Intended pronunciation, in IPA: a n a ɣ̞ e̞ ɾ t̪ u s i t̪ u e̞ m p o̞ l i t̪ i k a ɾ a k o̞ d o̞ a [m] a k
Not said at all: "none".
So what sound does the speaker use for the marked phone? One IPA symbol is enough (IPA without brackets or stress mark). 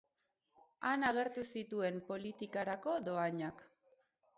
ɲ